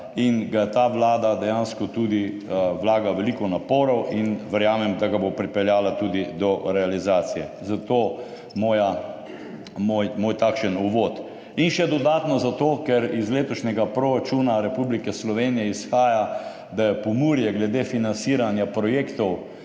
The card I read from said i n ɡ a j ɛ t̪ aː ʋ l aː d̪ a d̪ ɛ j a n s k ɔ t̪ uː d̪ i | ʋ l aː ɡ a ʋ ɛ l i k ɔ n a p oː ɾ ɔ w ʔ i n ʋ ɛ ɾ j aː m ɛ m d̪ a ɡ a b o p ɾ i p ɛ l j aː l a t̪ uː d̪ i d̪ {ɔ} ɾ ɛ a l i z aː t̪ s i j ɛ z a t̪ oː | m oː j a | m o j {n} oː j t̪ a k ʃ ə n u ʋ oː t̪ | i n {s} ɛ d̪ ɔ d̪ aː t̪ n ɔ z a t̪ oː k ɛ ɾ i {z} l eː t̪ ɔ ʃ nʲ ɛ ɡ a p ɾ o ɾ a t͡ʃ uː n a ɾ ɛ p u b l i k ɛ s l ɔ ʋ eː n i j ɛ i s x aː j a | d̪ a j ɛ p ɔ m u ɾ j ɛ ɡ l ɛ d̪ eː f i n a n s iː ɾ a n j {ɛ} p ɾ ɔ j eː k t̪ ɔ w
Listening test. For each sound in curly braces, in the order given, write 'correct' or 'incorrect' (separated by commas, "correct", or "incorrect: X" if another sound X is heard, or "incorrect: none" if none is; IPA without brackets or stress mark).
correct, incorrect: m, incorrect: ʃ, correct, incorrect: a